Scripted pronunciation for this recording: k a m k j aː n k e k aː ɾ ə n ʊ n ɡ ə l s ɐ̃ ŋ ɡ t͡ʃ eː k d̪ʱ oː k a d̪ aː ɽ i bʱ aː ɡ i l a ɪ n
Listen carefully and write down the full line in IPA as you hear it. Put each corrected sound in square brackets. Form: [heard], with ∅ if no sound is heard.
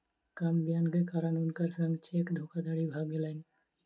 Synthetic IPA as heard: k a m [ɡ] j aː n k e k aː ɾ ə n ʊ n [k] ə [ɾ] s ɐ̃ ŋ ɡ t͡ʃ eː k d̪ʱ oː k a d̪ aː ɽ i bʱ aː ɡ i l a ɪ n

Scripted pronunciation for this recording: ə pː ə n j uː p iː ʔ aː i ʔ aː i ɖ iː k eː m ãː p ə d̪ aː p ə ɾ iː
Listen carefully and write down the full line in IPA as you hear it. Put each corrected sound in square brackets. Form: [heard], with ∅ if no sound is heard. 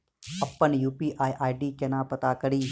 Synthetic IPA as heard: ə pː ə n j uː p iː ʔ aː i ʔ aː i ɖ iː k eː [n] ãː p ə [t̪] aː [k] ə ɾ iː

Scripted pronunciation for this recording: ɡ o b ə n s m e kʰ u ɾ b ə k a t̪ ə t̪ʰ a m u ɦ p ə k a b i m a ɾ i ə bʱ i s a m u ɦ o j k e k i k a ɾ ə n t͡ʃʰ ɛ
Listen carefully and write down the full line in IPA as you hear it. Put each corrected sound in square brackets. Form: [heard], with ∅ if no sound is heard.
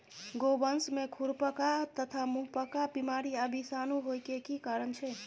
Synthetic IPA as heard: ɡ o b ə n s m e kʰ u ɾ [p] ə k a t̪ ə t̪ʰ a m u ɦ p ə k a b i m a ɾ i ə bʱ i s a [n] u ɦ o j k e k i k a ɾ ə n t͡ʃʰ ɛ

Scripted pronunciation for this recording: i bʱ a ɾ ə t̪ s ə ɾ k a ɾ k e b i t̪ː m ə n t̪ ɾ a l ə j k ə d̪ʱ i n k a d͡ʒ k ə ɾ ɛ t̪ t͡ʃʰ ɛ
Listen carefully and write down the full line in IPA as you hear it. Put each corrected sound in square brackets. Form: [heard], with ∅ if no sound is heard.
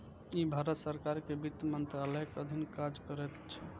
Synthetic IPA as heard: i bʱ a ɾ ə t̪ s ə ɾ k a ɾ k e b i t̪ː m ə n t̪ ɾ a l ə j k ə d̪ʱ i n k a d͡ʒ k ə ɾ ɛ t̪ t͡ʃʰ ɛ

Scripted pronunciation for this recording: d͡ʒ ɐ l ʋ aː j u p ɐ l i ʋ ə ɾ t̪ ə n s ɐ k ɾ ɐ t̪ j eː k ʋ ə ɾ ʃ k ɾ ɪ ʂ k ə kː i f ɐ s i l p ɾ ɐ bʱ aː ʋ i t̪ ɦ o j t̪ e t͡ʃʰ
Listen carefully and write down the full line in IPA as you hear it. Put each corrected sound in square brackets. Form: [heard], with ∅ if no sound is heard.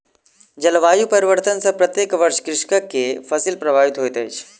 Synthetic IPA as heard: d͡ʒ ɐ l ʋ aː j u p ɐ [ɾ] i ʋ ə ɾ t̪ ə n s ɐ [p] ɾ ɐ t̪ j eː k ʋ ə ɾ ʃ k ɾ ɪ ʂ k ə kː [e] f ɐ s i l p ɾ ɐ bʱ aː ʋ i t̪ ɦ o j t̪ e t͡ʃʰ

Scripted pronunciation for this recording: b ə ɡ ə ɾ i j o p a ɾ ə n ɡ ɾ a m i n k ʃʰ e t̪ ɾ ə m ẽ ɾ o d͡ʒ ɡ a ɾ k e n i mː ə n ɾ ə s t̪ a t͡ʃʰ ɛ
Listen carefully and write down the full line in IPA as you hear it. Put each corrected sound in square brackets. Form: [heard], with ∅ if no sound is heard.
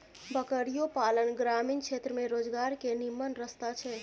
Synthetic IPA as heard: b ə [k] ə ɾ i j o p a [l] ə n ɡ ɾ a m i n k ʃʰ e t̪ ɾ ə m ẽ ɾ o d͡ʒ ɡ a ɾ k e n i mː ə n ɾ ə s t̪ a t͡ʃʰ ɛ

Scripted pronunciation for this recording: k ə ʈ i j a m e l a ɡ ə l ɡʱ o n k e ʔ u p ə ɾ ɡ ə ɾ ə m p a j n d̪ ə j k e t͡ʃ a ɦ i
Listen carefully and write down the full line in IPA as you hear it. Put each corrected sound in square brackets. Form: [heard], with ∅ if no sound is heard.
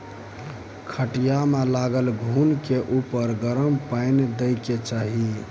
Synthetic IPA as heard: [kʰ] ə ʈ i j a m e l a ɡ ə l ɡʱ [u] n k e ʔ u p ə ɾ ɡ ə ɾ ə m p a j n d̪ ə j k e t͡ʃ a ɦ i

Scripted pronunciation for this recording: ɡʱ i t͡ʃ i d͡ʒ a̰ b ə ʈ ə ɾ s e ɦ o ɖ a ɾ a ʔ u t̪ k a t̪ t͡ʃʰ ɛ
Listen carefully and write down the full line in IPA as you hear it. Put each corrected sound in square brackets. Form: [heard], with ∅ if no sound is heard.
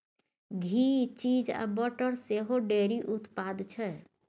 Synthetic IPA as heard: ɡʱ i t͡ʃ i d͡ʒ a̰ b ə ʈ ə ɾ s e ɦ o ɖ [e] ɾ [i] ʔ u t̪ [p] a [d̪] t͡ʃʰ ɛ

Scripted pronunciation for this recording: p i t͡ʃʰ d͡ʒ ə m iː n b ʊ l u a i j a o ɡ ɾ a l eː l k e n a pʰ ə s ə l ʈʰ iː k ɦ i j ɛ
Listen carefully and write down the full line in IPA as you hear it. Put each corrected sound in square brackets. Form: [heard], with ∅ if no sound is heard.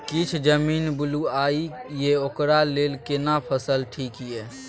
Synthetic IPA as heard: [k] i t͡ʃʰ d͡ʒ ə m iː n b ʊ l u a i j [e] o [k] ɾ a l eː l k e n a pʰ ə s ə l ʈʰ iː k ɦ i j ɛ

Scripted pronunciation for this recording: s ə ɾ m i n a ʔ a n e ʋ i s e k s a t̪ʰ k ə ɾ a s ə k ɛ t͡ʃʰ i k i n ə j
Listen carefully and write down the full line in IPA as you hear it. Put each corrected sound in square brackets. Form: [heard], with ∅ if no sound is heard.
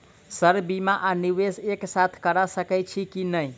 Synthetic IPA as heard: s ə ɾ [b] i [m] a ʔ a n [i] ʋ [e] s e k s a t̪ʰ k ə ɾ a s ə k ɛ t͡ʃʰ i k i n ə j

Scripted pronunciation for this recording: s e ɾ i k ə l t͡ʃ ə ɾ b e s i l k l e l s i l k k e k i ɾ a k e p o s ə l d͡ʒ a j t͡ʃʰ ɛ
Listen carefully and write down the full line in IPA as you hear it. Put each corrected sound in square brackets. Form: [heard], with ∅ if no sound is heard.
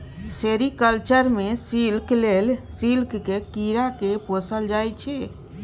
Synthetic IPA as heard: s e ɾ i k ə l t͡ʃ ə ɾ [m] e s i l k l e l s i l k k e k i ɾ a k e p o s ə l d͡ʒ a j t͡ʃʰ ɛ

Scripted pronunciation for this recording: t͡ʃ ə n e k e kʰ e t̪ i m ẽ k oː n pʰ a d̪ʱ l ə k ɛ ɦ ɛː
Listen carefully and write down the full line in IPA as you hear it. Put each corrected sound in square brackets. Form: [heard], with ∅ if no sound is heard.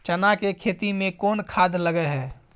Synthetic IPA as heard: t͡ʃ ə n [a] k e kʰ e t̪ i m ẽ k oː n [kʰ] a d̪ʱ l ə [ɡ] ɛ ɦ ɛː

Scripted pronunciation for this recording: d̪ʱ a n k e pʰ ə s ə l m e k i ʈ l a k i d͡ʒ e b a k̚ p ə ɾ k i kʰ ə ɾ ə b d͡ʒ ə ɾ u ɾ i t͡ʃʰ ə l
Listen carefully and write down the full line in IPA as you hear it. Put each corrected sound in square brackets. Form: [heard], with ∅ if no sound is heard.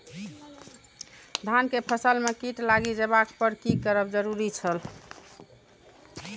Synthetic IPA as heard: d̪ʱ a n k e pʰ ə s ə l m e k i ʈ l a [ɡ] i d͡ʒ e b a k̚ p ə ɾ k i [k] ə ɾ ə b d͡ʒ ə ɾ u ɾ i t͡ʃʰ ə l

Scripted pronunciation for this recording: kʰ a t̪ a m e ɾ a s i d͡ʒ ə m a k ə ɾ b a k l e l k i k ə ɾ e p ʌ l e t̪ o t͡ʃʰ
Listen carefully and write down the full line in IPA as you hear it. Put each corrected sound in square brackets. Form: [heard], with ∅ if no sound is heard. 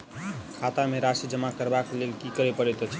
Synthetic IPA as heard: kʰ a t̪ a m e ɾ a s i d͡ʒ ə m a k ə ɾ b a k l e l k i k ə ɾ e p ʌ [ɾ] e t̪ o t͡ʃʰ

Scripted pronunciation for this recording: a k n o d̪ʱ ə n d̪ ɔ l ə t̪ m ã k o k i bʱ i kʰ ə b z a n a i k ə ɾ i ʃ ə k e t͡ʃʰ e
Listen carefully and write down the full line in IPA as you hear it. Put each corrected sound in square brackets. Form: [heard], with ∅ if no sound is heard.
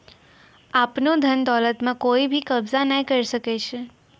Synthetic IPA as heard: a [p] n o d̪ʱ ə n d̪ ɔ l ə t̪ m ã k o [∅] i bʱ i [k] ə b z a n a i k ə ɾ i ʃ ə k e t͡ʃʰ e

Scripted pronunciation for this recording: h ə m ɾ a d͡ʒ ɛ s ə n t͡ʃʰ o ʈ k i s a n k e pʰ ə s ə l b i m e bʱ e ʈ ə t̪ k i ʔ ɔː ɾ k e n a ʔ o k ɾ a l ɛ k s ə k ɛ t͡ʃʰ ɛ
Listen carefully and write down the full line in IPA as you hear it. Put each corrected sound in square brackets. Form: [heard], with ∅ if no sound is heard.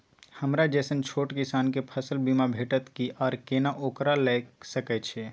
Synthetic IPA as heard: h ə m ɾ a d͡ʒ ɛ s ə n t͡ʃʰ o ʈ k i s a n k e pʰ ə s ə l b i m [a] bʱ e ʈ ə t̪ k i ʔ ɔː ɾ k e n a ʔ o k ɾ a l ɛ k s ə k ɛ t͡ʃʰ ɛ

